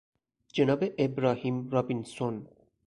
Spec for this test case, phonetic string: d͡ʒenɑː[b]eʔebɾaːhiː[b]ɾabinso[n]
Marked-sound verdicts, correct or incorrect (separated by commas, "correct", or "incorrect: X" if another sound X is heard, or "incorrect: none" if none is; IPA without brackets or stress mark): correct, incorrect: m, correct